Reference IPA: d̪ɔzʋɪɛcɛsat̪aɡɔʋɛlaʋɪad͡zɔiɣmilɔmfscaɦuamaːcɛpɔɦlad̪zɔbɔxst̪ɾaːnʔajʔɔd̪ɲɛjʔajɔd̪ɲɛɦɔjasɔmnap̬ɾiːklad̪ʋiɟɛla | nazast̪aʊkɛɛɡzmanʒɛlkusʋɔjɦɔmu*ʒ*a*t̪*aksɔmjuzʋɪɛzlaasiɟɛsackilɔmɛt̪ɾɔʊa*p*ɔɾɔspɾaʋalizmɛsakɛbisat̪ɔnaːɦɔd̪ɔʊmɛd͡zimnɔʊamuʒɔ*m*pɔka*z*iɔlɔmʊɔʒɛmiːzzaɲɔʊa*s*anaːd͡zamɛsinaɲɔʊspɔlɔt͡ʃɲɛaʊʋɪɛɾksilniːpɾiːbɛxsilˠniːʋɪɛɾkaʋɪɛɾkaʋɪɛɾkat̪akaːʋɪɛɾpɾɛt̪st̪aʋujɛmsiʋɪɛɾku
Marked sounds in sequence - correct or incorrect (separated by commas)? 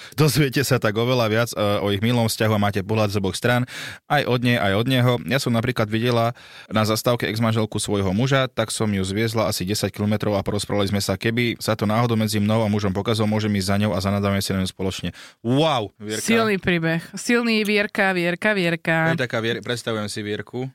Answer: correct, correct, correct, correct, correct, incorrect